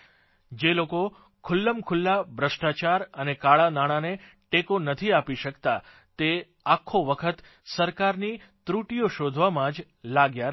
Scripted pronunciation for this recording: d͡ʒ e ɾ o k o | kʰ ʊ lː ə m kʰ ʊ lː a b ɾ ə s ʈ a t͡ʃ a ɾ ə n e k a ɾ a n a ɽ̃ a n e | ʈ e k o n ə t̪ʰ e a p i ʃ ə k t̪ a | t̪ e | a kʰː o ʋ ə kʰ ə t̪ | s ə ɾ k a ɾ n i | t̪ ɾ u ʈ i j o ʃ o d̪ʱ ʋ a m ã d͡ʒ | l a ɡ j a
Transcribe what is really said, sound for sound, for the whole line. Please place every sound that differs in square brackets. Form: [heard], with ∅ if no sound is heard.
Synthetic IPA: d͡ʒ e [l] o k o | kʰ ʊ lː ə m kʰ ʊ lː a b ɾ ə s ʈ a t͡ʃ a ɾ ə n e k a [ɭ] a n a ɽ̃ a n e | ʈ e k o n ə t̪ʰ [i] a p i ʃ ə k t̪ a | t̪ e | a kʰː o ʋ ə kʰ ə t̪ | s ə ɾ k a ɾ n i | t̪ ɾ u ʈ i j o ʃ o d̪ʱ ʋ a m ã d͡ʒ | l a ɡ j a